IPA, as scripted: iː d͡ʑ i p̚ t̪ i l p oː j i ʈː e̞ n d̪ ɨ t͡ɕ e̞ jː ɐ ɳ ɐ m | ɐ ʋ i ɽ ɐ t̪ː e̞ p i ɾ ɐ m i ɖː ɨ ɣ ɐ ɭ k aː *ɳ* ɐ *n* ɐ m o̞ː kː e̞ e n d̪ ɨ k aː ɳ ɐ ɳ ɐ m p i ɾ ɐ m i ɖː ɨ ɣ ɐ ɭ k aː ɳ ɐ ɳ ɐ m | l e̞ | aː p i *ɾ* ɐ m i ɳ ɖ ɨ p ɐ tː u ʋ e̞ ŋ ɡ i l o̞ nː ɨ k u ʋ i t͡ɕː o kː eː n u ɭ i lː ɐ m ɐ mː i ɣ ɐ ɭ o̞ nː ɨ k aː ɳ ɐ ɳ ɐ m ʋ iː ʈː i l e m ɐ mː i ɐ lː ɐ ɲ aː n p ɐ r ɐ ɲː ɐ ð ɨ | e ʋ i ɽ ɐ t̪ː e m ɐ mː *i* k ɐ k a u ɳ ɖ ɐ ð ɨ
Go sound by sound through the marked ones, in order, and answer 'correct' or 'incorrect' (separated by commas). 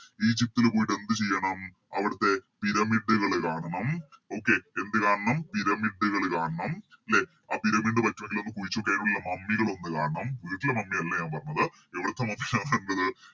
correct, incorrect, correct, correct